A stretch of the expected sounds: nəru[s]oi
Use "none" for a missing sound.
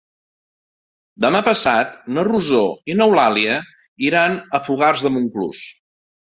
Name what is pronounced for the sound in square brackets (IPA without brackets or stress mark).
z